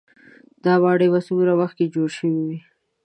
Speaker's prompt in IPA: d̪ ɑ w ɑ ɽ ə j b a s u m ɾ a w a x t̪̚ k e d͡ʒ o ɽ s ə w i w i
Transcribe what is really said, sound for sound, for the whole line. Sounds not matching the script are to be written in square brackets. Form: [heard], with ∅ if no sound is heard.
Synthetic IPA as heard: d̪ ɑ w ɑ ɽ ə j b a s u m ɾ a w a x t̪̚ k e d͡ʒ o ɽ [ʃ] ə w i w i